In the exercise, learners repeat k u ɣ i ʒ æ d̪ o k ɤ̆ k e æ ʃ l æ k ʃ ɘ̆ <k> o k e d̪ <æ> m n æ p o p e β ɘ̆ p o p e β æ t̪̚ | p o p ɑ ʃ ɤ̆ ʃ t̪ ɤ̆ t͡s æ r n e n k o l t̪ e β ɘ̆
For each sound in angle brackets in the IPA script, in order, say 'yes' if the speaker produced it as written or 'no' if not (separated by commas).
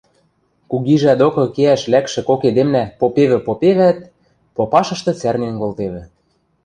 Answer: yes, no